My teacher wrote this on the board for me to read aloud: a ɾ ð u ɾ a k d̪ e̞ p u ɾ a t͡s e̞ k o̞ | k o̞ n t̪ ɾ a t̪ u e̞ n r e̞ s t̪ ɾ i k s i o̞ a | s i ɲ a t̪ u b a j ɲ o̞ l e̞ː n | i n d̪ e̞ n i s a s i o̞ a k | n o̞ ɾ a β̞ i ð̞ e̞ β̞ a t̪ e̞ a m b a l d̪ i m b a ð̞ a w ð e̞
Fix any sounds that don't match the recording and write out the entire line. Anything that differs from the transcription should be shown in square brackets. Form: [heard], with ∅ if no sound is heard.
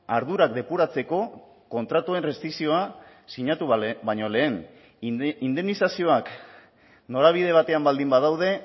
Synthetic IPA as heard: a ɾ ð u ɾ a k d̪ e̞ p u ɾ a t͡s e̞ k o̞ | k o̞ n t̪ ɾ a t̪ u e̞ n r e̞ s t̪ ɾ i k s i o̞ a | s i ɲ a t̪ u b a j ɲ o̞ l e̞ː n | i n d̪ e̞ n i s a s i o̞ a k | n o̞ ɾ a β̞ i ð̞ e̞ β̞ a t̪ e̞ a m b a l d̪ i m b a ð̞ a w ð e̞

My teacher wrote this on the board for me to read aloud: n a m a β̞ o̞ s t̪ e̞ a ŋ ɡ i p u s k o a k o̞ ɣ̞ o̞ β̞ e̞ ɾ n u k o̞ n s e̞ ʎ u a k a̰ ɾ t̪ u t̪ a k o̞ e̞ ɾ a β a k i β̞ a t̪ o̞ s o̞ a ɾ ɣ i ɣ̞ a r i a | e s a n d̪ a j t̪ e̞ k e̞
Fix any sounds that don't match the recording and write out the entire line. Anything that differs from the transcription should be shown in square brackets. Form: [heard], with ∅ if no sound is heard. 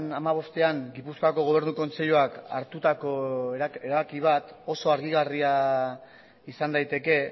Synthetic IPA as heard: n a m a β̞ o̞ s t̪ e̞ a ŋ ɡ i p u s k o a k o̞ ɣ̞ o̞ β̞ e̞ ɾ n u k o̞ n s e̞ ʎ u a k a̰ ɾ t̪ u t̪ a k o̞ e̞ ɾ a β a k i β̞ a t̪ o̞ s o̞ a ɾ ɣ i ɣ̞ a r i a | [i] s a n d̪ a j t̪ e̞ k e̞

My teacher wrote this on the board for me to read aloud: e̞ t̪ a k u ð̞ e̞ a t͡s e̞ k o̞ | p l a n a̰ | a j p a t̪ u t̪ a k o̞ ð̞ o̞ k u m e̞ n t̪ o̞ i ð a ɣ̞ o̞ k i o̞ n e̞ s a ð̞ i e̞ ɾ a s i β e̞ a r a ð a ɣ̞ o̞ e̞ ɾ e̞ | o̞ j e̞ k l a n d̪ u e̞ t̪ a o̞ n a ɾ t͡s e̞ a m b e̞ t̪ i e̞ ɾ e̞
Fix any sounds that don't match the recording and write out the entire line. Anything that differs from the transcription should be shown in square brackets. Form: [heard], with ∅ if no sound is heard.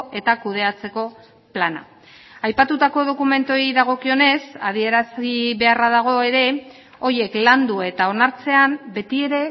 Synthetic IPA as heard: e̞ t̪ a k u ð̞ e̞ a t͡s e̞ k o̞ | p l a n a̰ | a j p a t̪ u t̪ a k o̞ ð̞ o̞ k u m e̞ n t̪ o̞ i ð a ɣ̞ o̞ k i o̞ n e̞ s a ð̞ i e̞ ɾ a s i β e̞ a r a ð a ɣ̞ o̞ e̞ ɾ e̞ | o̞ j e̞ k l a n d̪ u e̞ t̪ a o̞ n a ɾ t͡s e̞ a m b e̞ t̪ i e̞ ɾ e̞

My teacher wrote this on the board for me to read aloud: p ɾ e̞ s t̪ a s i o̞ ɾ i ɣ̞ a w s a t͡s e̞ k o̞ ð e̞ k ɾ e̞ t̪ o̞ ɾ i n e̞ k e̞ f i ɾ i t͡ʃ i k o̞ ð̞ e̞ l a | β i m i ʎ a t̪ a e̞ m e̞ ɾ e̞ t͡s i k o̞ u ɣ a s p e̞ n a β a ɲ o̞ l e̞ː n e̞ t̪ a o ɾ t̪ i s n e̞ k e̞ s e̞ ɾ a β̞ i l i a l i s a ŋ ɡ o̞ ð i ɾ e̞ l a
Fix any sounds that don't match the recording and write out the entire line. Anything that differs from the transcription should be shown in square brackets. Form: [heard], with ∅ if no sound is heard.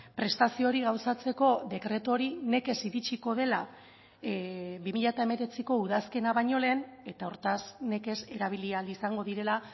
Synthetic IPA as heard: p ɾ e̞ s t̪ a s i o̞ ɾ i ɣ̞ a w s a t͡s e̞ k o̞ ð e̞ k ɾ e̞ t̪ o̞ ɾ i n e̞ k e̞ [s] i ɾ i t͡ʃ i k o̞ ð̞ e̞ l a | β i m i ʎ a t̪ a e̞ m e̞ ɾ e̞ t͡s i k o̞ u [ð] a s [k] e̞ n a β a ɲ o̞ l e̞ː n e̞ t̪ a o ɾ t̪ [a] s n e̞ k e̞ s e̞ ɾ a β̞ i l i a l i s a ŋ ɡ o̞ ð i ɾ e̞ l a

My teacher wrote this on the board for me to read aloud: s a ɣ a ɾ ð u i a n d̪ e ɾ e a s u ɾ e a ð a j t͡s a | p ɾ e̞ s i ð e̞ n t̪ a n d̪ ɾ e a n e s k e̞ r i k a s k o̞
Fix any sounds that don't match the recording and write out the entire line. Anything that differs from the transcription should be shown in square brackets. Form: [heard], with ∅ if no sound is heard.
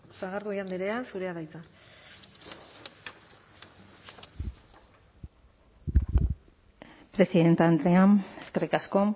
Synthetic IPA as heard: s a ɣ a ɾ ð u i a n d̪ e ɾ e a s u ɾ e a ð a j t͡s a | p ɾ e̞ s i ð e̞ n t̪ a n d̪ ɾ e a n e s k e̞ r i k a s k o̞

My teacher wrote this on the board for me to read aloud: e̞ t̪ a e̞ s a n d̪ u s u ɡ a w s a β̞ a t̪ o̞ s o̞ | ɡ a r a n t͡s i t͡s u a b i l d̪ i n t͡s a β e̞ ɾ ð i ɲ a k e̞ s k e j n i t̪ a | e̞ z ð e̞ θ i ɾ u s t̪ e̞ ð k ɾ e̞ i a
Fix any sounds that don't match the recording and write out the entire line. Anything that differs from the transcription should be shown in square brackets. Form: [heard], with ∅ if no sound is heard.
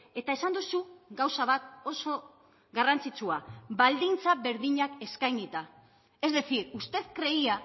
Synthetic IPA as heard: e̞ t̪ a e̞ s a n d̪ u s u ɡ a w s a β̞ a t̪ o̞ s o̞ | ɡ a r a n t͡s i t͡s u a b [a] l d̪ i n t͡s a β e̞ ɾ ð i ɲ a k e̞ s k [a] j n i t̪ a | e̞ z ð e̞ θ i ɾ u s t̪ e̞ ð k ɾ e̞ i a

